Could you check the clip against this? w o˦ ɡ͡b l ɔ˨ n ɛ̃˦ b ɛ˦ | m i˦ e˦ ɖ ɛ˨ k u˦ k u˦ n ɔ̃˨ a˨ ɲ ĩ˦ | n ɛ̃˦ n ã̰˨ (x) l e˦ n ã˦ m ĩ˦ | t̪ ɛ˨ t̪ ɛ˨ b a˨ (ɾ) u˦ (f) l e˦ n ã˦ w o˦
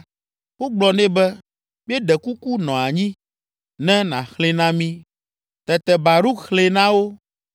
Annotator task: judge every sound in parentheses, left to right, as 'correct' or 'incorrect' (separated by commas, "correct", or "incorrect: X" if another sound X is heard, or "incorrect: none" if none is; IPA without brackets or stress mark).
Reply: correct, correct, incorrect: x